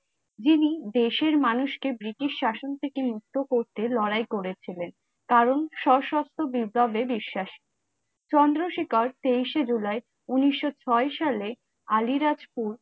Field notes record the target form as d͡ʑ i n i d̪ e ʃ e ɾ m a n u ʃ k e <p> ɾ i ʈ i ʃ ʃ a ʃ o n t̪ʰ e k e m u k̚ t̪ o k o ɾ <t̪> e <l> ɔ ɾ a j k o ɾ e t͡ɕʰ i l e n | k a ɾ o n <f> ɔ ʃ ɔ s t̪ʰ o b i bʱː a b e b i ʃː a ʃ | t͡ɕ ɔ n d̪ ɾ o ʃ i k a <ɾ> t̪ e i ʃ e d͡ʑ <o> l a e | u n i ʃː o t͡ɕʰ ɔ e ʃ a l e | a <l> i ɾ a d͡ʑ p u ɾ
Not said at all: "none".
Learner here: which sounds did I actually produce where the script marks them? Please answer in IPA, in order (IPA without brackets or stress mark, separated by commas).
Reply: b, t̪, l, ʃ, ɾ, u, l